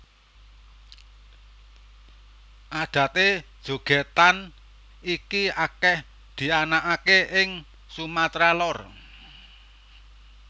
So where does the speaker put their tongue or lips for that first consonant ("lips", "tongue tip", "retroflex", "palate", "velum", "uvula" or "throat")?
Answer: throat